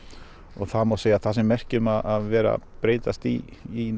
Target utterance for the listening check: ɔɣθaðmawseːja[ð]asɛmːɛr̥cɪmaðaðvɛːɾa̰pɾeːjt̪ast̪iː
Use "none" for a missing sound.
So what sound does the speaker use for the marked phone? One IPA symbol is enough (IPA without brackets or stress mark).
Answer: θ